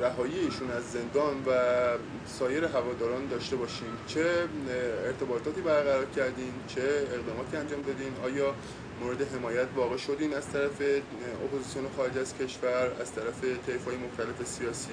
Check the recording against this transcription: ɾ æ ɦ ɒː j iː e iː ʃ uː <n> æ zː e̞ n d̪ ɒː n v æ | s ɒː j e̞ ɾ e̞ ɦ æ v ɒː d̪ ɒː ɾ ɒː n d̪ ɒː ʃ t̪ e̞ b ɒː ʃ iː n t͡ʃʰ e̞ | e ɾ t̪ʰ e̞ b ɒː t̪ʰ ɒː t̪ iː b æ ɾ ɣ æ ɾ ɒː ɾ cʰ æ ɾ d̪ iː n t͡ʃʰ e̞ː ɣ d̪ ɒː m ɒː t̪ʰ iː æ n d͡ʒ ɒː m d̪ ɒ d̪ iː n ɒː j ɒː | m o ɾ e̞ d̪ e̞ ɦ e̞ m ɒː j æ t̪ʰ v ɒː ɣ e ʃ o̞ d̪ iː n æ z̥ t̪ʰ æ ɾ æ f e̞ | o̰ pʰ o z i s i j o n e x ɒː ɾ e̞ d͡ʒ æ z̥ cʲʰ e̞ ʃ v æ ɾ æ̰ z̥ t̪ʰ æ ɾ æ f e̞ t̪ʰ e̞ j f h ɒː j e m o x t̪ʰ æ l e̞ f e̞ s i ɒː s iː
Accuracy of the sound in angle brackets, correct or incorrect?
correct